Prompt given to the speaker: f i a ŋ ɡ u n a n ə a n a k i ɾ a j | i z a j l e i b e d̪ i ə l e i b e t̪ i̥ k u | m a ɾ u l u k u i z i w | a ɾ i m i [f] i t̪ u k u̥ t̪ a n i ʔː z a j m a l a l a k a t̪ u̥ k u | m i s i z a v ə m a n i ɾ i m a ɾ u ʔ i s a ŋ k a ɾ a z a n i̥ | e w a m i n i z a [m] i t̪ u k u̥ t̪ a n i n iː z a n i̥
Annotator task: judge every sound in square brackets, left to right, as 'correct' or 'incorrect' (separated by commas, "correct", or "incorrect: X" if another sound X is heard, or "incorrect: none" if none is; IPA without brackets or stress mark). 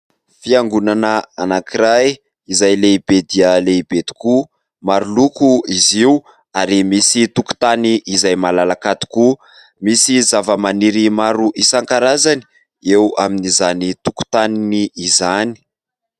incorrect: s, incorrect: n